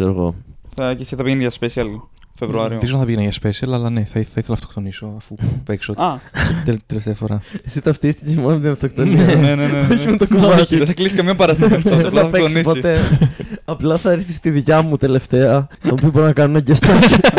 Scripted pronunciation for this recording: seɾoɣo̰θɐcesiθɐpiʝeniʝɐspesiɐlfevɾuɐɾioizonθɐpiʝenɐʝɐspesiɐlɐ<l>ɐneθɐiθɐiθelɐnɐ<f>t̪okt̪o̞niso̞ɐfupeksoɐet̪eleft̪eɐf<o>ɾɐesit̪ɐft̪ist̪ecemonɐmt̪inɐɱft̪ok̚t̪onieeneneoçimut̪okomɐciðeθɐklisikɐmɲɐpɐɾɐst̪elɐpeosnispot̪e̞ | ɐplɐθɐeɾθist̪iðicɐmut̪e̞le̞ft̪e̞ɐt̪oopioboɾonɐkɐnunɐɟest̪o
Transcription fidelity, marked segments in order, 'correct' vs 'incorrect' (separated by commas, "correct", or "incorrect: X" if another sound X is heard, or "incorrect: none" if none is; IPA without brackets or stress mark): correct, correct, correct